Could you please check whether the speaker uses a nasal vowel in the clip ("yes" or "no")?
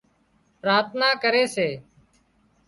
no